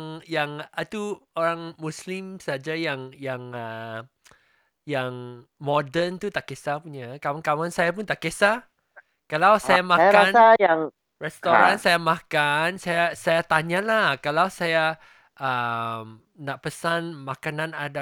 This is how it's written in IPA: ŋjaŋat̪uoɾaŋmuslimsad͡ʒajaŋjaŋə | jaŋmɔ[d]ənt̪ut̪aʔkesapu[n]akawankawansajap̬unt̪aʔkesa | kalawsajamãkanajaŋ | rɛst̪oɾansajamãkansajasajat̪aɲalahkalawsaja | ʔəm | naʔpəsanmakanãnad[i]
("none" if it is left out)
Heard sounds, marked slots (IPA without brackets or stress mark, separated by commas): d, ɲ, a